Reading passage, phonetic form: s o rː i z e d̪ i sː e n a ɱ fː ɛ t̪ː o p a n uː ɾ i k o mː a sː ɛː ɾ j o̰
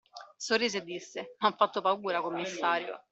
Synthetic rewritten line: s o rː iː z e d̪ i sː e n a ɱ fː a t̪ː o p a uː ɾ a k o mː i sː aː ɾ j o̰